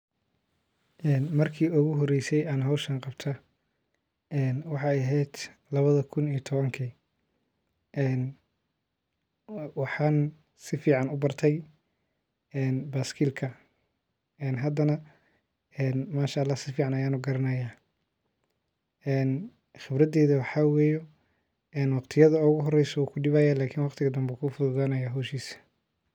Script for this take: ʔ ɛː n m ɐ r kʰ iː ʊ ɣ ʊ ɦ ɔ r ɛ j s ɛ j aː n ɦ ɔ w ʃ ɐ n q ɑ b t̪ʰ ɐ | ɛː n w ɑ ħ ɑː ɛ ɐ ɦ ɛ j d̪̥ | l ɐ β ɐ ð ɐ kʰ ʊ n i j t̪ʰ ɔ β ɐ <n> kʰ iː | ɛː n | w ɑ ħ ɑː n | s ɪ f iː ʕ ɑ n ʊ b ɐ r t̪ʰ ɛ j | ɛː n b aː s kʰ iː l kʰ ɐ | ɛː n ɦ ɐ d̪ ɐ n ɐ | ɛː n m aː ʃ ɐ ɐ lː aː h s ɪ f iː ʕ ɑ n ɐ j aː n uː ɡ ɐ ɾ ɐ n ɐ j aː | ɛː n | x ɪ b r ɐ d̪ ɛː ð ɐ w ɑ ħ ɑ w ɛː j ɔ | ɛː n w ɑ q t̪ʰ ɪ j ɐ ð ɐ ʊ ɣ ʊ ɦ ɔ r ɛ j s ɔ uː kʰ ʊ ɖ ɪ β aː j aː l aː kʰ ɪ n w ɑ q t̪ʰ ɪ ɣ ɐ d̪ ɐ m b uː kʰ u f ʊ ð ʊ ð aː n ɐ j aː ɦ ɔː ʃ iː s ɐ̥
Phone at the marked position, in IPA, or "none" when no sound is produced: ŋ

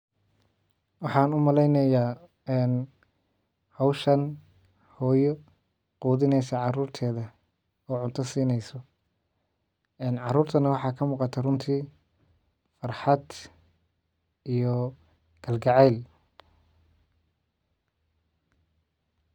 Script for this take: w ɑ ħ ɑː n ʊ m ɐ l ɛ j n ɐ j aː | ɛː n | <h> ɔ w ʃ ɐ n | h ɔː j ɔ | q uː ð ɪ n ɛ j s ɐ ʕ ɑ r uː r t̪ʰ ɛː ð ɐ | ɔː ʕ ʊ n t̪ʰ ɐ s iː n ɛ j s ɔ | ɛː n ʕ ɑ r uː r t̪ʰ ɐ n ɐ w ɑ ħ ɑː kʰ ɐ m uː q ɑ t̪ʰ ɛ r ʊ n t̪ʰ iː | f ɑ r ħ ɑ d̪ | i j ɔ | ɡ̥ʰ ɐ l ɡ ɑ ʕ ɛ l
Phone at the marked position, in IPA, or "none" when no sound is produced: h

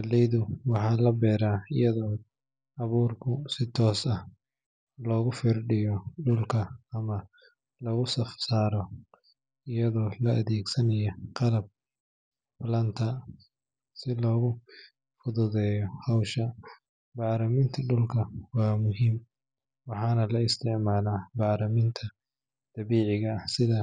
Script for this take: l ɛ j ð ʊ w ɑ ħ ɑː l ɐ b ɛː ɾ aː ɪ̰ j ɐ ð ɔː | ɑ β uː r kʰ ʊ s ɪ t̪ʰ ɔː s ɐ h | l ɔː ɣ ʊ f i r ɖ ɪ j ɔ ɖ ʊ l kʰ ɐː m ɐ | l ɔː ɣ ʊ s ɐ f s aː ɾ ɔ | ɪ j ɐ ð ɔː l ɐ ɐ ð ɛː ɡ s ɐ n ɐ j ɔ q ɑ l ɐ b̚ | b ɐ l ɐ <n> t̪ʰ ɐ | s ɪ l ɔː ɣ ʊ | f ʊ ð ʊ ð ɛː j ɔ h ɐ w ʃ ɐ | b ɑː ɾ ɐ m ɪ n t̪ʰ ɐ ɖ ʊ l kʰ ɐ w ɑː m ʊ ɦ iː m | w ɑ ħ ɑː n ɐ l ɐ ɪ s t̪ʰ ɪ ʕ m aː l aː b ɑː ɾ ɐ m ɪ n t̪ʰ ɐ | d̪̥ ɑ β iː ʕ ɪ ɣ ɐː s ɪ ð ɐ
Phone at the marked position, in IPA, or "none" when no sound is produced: n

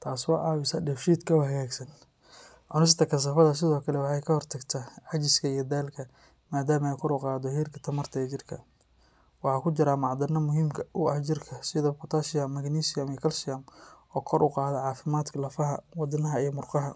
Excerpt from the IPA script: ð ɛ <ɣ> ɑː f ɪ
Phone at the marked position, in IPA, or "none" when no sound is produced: ʕ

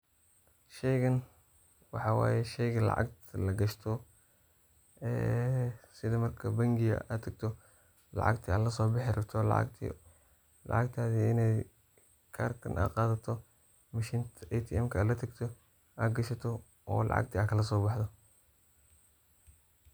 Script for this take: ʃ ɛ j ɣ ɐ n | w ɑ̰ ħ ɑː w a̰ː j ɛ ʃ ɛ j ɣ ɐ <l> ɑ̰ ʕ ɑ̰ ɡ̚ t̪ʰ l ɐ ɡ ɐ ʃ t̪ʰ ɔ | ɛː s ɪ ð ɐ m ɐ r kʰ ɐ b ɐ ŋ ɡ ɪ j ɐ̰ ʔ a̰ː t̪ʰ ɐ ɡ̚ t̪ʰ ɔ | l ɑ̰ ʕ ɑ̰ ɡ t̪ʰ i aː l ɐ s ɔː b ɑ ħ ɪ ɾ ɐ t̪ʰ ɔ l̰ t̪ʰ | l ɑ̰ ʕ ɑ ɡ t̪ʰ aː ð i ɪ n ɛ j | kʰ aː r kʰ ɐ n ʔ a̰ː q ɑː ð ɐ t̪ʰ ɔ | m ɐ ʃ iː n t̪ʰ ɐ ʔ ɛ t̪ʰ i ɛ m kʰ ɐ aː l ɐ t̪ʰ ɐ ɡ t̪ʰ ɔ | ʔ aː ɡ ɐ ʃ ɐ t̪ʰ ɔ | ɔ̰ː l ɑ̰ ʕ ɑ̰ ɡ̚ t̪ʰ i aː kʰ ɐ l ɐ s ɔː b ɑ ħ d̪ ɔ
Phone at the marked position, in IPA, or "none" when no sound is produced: l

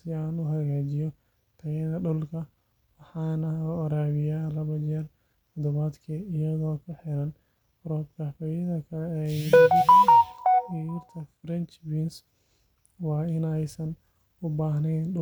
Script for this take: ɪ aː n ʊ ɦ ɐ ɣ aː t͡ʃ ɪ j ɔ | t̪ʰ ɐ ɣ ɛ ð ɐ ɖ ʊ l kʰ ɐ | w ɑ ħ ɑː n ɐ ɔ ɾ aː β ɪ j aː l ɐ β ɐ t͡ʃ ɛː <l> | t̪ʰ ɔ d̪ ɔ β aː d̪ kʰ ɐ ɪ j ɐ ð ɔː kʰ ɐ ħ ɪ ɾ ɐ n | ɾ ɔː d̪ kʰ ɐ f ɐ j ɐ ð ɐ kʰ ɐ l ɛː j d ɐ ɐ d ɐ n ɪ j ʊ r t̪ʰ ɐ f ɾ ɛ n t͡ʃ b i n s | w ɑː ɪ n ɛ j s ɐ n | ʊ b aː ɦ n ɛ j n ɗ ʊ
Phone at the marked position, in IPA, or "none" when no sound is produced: r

